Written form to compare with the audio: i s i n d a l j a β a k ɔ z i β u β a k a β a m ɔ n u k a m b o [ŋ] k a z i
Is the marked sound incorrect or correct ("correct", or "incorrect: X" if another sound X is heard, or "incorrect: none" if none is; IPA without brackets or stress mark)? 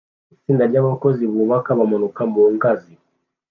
correct